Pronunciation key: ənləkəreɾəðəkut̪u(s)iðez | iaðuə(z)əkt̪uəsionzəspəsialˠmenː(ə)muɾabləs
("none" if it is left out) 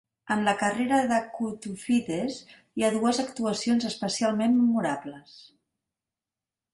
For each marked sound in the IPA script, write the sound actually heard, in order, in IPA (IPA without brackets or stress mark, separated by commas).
f, z, ə